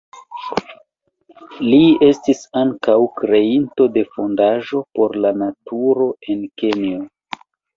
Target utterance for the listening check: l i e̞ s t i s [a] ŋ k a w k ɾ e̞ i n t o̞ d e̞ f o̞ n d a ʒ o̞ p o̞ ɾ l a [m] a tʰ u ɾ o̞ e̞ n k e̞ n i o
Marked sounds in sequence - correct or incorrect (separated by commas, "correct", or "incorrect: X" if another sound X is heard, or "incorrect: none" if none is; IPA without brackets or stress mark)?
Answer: correct, incorrect: n